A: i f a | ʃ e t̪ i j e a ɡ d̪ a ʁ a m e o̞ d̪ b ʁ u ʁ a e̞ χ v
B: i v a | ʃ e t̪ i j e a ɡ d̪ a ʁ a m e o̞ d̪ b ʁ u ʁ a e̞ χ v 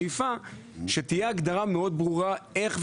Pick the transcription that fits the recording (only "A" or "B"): A